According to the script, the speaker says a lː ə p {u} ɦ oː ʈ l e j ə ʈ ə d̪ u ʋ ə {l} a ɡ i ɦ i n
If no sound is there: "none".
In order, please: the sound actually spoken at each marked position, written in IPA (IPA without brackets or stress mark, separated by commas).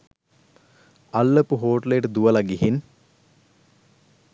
u, l